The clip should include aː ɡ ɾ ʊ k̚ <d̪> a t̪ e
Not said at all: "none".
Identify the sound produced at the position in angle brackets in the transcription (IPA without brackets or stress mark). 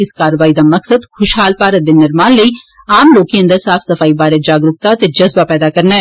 t̪